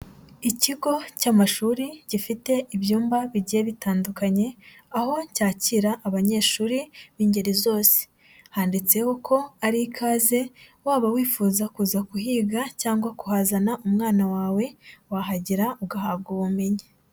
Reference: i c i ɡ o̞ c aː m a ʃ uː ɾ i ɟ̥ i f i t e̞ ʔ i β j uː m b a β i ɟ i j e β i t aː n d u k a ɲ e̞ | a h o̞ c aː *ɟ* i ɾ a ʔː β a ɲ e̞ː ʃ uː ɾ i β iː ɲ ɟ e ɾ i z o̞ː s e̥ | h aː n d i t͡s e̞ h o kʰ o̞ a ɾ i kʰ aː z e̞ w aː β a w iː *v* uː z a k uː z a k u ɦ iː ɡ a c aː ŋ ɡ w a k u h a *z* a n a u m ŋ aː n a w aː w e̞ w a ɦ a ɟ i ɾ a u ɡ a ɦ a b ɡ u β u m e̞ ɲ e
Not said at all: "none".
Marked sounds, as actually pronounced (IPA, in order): c, f, z

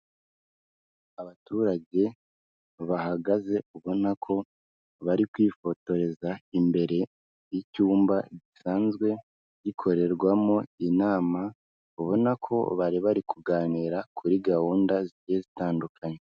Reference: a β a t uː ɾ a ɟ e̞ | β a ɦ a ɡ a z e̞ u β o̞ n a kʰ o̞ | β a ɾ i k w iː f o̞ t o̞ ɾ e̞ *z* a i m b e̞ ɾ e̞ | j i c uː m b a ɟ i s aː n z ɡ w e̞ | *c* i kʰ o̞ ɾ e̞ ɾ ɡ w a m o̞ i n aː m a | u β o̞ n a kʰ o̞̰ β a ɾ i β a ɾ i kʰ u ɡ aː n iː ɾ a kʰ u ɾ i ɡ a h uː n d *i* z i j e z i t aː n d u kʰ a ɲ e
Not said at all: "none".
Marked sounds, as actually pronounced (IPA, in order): z, ɟ, a

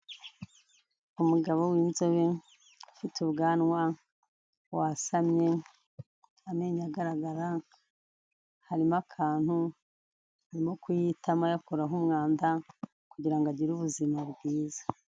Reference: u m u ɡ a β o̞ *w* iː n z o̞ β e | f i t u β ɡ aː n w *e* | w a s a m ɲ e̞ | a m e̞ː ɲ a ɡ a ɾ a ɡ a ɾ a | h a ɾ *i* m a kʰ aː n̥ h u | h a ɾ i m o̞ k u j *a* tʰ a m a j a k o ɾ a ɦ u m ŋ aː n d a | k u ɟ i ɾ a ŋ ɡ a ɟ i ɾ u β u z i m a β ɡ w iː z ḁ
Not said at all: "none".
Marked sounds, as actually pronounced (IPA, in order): w, a, i, i

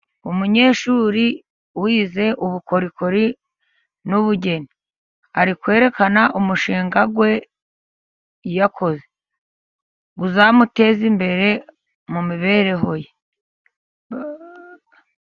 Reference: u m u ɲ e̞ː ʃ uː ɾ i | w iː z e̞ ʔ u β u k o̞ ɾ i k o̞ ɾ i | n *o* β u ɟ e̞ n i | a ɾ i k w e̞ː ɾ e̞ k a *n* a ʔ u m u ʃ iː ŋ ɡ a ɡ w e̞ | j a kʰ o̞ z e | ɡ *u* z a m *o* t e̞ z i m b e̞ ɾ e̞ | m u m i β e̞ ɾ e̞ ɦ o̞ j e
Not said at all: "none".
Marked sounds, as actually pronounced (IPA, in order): u, n, u, u

